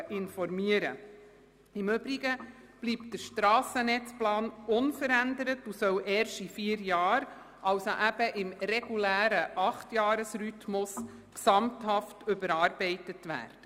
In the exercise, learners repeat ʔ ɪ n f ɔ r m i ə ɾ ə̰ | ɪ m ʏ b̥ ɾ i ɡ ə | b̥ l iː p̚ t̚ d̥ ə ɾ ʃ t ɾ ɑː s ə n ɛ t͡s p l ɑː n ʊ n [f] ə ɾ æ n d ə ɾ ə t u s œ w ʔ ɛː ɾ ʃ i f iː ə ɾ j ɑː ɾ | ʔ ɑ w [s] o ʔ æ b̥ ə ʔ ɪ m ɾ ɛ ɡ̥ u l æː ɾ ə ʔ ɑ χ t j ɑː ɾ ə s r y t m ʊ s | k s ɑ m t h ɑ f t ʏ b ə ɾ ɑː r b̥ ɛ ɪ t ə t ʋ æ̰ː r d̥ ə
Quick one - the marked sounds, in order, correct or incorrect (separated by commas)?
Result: correct, correct